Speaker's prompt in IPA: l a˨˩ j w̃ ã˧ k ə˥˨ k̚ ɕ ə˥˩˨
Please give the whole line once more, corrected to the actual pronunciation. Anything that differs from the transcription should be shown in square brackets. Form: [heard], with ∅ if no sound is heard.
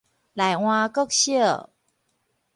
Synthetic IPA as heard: l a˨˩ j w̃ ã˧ k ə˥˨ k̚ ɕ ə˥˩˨